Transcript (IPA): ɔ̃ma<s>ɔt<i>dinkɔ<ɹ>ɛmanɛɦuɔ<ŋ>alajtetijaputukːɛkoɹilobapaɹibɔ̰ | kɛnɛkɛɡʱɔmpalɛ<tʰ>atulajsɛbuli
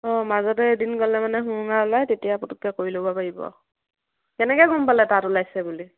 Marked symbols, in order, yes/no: no, no, no, yes, no

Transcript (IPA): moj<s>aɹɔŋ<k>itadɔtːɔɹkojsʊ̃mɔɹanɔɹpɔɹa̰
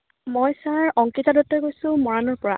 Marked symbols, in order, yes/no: yes, yes

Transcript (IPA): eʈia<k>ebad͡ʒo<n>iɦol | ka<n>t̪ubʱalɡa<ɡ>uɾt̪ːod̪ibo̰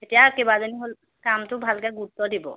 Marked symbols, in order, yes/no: yes, yes, no, yes

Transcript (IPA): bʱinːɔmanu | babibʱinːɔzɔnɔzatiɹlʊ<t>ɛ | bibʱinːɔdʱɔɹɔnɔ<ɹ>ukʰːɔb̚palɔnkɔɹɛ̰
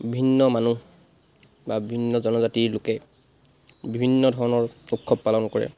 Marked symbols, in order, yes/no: no, yes

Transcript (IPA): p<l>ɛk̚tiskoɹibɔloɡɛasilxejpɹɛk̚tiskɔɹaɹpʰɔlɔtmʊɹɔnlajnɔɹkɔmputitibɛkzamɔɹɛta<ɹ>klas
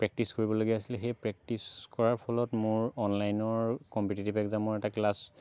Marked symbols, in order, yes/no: no, no

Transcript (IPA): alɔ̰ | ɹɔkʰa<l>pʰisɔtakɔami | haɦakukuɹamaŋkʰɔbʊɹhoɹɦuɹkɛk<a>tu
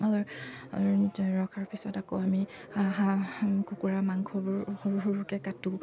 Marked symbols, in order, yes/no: no, yes

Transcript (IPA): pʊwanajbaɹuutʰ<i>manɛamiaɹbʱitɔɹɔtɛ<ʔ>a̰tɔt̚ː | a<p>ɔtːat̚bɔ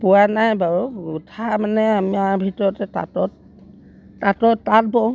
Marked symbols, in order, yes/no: no, no, no

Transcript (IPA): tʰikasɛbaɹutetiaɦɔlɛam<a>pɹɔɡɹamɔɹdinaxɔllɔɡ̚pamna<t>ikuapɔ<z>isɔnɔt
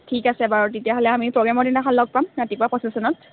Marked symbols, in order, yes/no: no, yes, no

